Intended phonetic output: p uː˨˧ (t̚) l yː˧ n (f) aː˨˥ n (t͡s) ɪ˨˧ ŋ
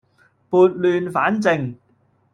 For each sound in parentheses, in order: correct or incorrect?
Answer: correct, correct, correct

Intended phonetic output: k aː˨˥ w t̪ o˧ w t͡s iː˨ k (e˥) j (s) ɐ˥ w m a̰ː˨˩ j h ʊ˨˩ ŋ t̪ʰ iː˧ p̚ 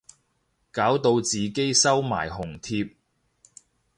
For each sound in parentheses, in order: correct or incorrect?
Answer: correct, correct

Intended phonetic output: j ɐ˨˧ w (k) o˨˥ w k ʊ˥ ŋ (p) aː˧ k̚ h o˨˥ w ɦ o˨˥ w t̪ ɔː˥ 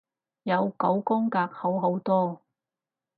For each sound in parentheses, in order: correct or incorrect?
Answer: correct, incorrect

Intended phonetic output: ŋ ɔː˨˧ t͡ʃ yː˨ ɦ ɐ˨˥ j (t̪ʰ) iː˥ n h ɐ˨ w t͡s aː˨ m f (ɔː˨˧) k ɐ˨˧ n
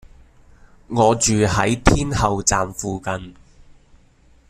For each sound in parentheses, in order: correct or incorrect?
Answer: correct, incorrect

